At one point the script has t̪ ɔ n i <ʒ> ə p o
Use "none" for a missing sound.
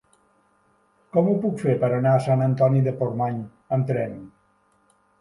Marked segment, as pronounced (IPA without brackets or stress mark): ð